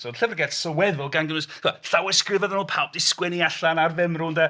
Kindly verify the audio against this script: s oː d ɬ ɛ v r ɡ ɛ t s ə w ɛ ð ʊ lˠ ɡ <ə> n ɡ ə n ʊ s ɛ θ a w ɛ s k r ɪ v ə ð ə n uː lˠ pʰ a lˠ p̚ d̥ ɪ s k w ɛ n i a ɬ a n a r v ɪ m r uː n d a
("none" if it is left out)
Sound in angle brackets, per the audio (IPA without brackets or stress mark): a